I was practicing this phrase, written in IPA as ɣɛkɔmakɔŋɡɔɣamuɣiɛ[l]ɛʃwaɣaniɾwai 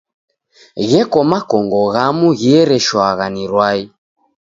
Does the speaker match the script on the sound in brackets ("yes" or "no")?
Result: no